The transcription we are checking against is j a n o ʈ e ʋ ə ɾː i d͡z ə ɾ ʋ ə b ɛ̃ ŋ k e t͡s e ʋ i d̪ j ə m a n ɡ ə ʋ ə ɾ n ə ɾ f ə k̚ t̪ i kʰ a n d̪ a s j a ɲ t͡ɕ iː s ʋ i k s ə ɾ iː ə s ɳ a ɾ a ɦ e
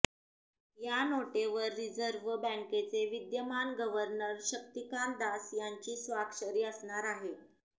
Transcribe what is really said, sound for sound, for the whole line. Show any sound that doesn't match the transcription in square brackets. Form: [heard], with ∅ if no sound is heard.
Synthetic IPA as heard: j a n o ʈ e ʋ ə ɾː i d͡z ə ɾ ʋ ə b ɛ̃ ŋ k e t͡s e ʋ i d̪ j ə m a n ɡ ə ʋ ə ɾ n ə ɾ [ɕ] ə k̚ t̪ i [k] a n d̪ a s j a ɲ t͡ɕ iː s ʋ [a] k [ʂ] ə ɾ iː ə s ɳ a ɾ a ɦ e